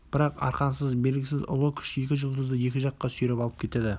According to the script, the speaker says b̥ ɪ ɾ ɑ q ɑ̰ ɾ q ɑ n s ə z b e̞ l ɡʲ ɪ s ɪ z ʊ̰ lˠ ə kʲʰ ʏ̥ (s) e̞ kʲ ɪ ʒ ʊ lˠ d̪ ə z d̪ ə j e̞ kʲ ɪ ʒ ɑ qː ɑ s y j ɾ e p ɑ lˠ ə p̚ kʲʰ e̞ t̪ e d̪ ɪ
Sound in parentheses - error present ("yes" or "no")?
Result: yes